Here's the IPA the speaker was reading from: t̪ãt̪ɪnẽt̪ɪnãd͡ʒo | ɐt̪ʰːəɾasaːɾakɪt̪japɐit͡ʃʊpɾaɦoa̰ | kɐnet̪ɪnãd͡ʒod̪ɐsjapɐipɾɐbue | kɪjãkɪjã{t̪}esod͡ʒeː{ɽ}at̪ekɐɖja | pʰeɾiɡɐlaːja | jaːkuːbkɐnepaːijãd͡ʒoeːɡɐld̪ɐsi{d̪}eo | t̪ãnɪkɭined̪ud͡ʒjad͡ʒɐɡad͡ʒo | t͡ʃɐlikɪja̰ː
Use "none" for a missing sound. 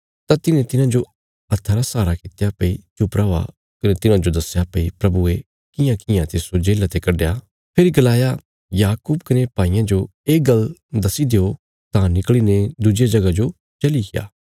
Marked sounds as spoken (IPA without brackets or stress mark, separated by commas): t̪, l, d̪